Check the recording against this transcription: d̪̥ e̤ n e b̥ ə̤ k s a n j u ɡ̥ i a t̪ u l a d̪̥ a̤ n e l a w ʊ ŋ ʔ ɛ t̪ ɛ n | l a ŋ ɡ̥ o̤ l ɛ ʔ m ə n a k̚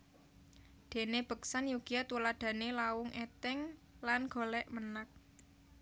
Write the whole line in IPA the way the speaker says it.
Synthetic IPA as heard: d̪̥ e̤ n e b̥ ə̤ k s a n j u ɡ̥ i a t̪ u l a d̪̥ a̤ n e l a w ʊ ŋ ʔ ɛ t̪ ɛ ŋ | l a n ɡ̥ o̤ l ɛ ʔ m ə n a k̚